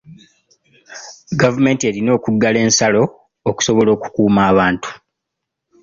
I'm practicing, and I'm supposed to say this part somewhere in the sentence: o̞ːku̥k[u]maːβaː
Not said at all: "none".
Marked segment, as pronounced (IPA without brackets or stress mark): uː